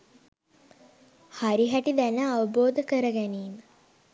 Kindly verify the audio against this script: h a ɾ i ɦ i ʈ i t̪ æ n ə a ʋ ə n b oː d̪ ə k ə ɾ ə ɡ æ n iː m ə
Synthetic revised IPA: h a ɾ i ɦ æ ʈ i d̪ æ n ə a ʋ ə b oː d̪ ə k ə ɾ ə ɡ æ n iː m ə